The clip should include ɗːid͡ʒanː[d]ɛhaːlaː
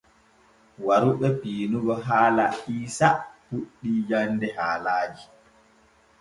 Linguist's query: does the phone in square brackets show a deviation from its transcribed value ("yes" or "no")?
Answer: no